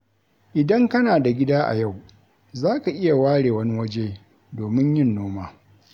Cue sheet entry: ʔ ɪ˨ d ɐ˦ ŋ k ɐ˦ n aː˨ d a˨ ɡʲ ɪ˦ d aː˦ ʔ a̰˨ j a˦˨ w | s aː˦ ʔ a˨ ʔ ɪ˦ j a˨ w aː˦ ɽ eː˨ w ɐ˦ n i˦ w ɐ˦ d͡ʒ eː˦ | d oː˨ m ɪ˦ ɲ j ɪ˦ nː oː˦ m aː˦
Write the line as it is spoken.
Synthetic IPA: ʔ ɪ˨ d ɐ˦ ŋ k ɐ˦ n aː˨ d a˨ ɡʲ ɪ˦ d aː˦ ʔ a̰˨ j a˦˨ w | z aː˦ k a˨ ʔ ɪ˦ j a˨ w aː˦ ɽ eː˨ w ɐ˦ n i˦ w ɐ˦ d͡ʒ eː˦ | d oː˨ m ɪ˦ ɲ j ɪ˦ nː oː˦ m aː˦

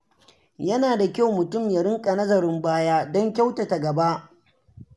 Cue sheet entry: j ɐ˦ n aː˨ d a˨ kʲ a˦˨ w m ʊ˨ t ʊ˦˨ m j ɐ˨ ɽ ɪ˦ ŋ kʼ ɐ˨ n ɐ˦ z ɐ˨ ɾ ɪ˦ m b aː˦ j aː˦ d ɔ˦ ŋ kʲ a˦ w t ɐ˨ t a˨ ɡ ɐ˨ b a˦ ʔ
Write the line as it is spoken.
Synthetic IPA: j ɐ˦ n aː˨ d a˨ kʲ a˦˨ w m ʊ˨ t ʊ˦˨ m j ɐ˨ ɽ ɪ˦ ŋ kʼ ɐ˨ n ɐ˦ z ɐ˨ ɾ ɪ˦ m b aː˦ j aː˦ d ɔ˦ ŋ kʲ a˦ w t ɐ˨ t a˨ ɡ ɐ˨ b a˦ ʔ

